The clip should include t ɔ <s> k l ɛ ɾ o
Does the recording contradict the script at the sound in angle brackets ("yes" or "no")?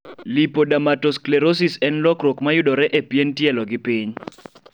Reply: no